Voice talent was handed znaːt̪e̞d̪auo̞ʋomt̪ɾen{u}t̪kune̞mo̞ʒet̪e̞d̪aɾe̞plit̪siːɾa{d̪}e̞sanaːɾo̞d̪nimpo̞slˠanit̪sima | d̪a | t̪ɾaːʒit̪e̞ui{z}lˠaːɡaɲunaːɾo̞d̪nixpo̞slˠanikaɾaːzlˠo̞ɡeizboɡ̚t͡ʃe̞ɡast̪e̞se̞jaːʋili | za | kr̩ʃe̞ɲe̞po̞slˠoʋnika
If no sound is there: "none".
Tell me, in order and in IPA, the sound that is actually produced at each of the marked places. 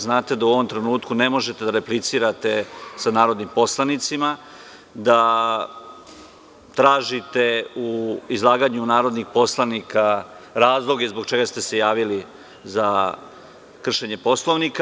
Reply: uː, t̪, z

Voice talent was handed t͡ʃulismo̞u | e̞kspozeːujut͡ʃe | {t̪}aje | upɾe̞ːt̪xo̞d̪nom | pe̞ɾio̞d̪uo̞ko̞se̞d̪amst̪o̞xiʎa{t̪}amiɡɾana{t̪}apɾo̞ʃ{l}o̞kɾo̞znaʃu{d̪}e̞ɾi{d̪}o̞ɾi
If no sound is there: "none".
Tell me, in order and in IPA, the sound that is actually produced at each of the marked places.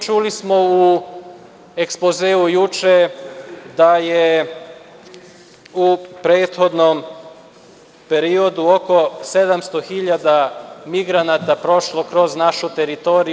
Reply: d̪, d̪, t̪, l, t̪, t̪

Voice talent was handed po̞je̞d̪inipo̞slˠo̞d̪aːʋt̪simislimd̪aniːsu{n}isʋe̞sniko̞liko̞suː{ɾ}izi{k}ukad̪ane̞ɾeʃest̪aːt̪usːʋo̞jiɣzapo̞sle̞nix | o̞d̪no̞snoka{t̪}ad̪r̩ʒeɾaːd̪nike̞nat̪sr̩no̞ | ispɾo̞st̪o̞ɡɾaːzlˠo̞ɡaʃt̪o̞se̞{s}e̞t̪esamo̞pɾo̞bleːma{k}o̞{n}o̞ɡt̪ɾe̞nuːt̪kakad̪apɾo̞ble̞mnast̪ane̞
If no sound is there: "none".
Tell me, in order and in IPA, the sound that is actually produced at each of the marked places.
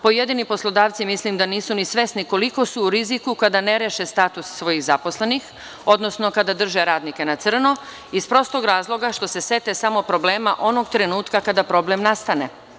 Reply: n, ɾ, k, d̪, s, ʔ, n

